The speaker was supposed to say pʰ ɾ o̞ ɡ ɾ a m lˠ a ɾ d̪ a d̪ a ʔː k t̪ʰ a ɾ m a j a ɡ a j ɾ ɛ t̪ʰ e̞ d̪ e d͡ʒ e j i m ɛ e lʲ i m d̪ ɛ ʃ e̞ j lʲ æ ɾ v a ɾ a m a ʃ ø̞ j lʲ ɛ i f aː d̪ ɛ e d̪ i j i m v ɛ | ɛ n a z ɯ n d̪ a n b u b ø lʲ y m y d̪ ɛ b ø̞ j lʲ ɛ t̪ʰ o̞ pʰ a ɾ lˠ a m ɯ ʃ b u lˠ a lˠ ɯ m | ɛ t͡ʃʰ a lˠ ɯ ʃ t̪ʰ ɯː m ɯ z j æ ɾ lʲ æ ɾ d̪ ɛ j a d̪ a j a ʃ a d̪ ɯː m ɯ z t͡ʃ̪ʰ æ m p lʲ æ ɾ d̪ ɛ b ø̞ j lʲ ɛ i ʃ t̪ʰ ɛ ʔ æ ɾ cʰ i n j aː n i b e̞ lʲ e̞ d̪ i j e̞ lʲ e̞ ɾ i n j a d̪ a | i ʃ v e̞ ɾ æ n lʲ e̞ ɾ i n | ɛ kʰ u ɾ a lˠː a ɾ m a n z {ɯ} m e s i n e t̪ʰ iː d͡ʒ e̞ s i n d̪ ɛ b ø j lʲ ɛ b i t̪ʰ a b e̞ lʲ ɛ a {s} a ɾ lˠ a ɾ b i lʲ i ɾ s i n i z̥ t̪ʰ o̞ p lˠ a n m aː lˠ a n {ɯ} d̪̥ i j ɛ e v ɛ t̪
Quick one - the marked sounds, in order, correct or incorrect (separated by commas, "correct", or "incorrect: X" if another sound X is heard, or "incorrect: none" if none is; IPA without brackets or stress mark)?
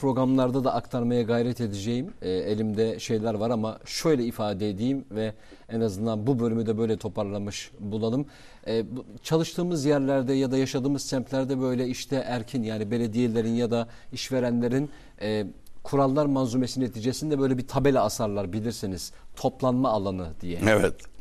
incorrect: u, correct, correct